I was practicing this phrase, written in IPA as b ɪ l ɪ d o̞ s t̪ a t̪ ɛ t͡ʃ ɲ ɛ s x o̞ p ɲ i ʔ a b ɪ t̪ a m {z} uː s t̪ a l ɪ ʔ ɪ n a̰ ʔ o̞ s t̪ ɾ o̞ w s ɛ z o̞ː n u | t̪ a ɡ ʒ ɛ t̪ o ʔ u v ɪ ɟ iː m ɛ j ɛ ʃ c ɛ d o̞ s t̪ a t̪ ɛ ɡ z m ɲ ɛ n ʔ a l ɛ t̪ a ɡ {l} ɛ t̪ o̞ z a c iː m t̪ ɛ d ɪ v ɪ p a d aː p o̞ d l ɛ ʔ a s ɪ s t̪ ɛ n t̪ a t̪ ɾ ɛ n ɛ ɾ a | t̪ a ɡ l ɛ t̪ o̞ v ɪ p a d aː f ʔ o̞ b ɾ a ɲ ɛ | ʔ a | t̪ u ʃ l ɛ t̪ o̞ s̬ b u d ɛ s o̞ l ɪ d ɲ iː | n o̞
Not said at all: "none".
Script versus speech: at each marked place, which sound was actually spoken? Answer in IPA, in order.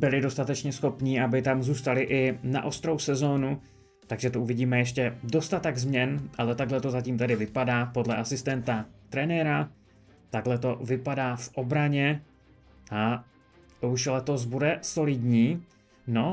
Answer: z, l

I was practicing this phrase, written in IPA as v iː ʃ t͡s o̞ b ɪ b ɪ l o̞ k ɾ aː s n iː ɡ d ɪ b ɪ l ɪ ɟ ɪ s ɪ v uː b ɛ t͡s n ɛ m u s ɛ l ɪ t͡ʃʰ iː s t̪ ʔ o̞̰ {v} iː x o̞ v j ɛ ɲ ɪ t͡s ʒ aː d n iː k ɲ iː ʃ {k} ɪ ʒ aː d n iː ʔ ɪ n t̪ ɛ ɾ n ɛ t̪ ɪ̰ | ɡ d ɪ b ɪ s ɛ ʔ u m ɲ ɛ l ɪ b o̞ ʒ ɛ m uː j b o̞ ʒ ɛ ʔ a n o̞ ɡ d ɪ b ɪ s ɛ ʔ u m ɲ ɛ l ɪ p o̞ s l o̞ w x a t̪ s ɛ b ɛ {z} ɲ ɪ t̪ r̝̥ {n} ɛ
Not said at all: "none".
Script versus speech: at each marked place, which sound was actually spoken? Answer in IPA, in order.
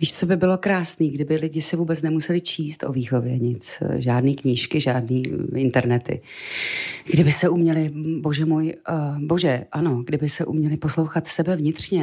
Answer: v, k, v, ɲ

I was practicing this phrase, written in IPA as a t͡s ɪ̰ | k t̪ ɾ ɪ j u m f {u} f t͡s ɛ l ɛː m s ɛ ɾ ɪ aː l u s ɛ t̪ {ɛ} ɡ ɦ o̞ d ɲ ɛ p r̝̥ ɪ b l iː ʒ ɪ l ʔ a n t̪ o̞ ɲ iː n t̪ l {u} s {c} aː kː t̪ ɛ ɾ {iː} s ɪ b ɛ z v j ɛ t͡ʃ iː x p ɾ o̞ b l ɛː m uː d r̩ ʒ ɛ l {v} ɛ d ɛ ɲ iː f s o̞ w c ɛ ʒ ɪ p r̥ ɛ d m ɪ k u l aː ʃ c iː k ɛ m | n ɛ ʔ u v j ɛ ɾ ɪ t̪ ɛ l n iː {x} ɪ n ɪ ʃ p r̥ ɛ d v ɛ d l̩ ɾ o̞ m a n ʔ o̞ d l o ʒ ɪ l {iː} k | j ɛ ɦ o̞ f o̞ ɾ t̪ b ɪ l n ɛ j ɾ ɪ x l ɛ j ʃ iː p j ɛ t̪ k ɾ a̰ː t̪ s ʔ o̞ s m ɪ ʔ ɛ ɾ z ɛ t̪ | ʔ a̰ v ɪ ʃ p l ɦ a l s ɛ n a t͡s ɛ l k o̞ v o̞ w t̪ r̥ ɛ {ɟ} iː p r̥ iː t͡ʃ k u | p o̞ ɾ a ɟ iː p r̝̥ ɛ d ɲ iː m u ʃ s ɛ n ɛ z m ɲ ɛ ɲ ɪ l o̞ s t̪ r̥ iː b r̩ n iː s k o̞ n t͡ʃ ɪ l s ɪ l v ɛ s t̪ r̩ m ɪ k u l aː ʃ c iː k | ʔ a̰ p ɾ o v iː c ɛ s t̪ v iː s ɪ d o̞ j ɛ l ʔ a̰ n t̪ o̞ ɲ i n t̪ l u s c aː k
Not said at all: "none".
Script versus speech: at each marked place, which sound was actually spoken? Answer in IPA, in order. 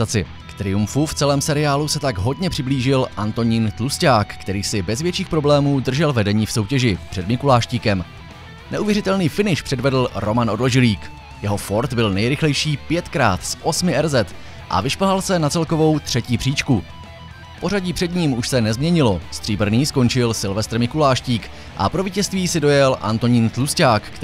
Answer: u, a, u, c, iː, v, f, iː, c

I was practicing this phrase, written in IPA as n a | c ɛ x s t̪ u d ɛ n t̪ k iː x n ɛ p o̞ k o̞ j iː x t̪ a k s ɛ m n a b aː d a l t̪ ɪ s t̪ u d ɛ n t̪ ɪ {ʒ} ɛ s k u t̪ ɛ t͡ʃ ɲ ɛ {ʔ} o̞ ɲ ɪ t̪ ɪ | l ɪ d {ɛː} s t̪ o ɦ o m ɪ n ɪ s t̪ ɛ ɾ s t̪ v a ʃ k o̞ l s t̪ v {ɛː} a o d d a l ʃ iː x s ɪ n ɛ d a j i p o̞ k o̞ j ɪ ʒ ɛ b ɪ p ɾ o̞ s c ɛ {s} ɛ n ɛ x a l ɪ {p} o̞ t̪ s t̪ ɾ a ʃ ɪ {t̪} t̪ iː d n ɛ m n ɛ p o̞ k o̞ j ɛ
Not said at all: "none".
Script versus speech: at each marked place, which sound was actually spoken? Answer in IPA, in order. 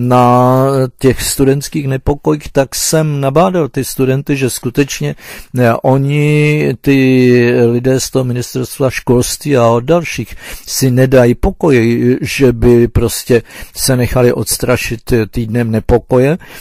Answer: ʒ, ʔ, ɛː, iː, s, ʔ, t̪

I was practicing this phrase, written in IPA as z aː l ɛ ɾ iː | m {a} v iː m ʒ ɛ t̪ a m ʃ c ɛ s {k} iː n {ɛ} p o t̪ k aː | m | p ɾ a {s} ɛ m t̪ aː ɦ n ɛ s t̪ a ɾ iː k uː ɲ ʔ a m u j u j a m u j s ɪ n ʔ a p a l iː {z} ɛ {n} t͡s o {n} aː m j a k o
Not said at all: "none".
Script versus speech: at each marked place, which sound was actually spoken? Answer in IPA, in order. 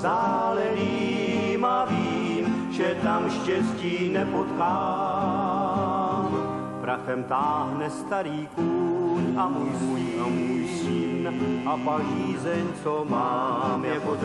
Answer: a, c, ɛ, x, z, ɲ, m

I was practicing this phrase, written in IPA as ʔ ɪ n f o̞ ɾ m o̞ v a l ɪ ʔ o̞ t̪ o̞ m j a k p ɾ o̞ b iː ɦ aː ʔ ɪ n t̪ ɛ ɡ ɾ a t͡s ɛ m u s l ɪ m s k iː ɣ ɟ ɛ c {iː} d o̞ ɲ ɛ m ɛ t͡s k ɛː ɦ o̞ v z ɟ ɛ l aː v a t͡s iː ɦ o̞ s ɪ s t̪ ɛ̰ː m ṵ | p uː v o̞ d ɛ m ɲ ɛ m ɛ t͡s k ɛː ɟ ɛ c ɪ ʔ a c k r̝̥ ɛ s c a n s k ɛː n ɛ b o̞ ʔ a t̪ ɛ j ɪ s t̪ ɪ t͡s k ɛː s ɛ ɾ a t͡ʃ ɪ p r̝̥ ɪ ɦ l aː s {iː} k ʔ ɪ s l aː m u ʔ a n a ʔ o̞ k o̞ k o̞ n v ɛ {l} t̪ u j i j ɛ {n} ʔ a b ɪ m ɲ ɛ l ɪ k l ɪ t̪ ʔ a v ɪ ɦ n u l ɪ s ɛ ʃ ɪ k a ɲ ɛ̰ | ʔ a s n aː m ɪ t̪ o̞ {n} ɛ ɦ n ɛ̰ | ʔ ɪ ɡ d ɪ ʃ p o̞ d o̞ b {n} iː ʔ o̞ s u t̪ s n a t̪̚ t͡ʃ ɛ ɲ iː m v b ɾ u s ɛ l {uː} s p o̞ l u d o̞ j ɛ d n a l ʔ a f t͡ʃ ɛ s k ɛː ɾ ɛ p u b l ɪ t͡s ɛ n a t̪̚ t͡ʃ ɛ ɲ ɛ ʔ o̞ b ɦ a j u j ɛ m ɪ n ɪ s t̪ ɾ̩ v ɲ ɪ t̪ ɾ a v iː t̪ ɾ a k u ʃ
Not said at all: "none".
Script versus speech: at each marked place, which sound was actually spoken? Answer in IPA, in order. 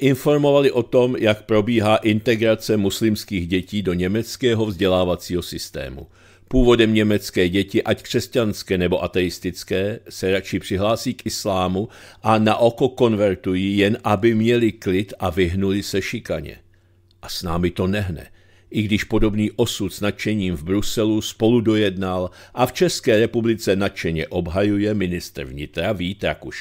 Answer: iː, iː, ɾ, n, n, n, u

